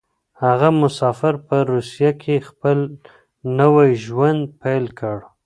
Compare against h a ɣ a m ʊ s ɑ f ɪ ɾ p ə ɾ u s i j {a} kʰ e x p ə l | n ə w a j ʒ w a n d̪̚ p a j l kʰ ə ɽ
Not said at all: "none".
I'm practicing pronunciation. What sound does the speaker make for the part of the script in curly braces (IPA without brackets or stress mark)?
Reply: a